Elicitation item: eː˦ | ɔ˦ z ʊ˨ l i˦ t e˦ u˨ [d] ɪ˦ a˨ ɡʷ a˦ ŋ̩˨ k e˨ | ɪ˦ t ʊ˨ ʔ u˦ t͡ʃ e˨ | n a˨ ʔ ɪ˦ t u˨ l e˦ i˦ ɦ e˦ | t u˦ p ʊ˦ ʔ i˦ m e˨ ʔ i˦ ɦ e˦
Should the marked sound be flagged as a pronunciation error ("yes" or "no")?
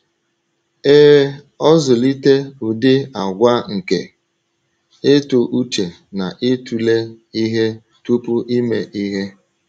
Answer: no